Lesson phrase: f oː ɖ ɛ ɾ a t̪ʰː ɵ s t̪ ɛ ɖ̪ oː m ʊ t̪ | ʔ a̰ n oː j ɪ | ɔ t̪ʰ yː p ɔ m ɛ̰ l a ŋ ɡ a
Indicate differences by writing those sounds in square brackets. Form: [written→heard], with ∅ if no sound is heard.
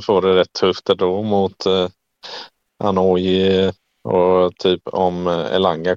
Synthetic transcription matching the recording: f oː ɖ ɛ ɾ [a→ɛ] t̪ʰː ɵ [s→f] t̪ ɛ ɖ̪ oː m ʊ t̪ | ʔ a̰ n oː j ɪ | ɔ t̪ʰ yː p ɔ m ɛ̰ l a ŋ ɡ a